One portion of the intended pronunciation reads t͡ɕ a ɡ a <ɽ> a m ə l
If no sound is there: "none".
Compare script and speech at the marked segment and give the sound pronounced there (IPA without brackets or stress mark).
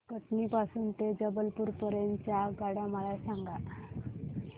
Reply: ɽ